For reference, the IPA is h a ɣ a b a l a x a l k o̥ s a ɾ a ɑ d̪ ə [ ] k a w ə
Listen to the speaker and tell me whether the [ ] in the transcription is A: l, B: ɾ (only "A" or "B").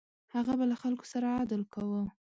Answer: A